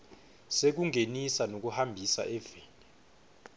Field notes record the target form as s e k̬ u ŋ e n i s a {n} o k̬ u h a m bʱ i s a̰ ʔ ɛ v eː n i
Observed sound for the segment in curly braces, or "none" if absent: n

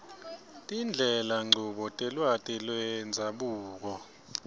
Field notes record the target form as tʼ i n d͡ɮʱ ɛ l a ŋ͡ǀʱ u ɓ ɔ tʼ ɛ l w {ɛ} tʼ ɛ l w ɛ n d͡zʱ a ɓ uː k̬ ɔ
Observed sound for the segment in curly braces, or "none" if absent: a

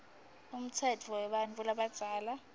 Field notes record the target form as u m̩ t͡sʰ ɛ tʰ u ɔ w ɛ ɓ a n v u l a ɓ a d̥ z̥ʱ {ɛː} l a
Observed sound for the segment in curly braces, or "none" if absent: aː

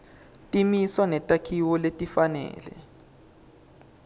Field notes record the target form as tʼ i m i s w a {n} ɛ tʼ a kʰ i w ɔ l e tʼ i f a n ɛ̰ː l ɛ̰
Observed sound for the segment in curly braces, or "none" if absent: n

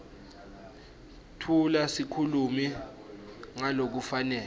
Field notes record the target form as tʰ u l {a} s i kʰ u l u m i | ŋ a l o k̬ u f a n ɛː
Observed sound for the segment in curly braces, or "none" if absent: a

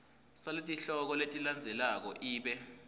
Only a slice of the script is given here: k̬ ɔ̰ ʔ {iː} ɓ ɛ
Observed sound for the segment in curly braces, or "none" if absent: iː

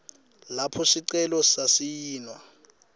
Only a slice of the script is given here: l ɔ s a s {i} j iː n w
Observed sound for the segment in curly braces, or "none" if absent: i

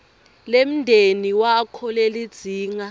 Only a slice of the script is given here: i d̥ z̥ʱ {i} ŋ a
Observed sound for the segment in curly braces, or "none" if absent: iː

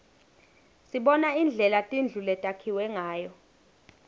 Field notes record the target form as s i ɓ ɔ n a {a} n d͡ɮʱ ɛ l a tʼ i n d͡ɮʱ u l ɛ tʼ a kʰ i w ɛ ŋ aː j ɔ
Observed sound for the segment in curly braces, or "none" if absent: i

